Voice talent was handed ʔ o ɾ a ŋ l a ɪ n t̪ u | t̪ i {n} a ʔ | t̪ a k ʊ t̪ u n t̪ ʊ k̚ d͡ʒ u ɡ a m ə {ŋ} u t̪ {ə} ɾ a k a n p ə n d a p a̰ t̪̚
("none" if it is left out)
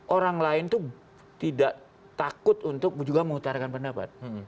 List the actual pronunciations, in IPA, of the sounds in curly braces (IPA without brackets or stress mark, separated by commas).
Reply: d, ŋ, a